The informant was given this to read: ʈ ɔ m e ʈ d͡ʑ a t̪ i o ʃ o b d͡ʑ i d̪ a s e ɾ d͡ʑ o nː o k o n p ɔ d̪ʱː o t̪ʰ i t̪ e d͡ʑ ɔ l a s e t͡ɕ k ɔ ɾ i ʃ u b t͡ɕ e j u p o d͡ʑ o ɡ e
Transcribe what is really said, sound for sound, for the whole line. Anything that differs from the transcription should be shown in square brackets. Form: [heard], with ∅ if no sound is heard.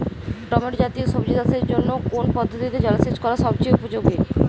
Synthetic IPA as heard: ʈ ɔ m e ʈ d͡ʑ a t̪ i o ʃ o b d͡ʑ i d̪ a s e ɾ d͡ʑ o nː o k o n p ɔ d̪ʱː o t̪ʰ i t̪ e d͡ʑ ɔ l a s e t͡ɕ k ɔ ɾ [a] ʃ [ɔ] b t͡ɕ e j u p o d͡ʑ o ɡ e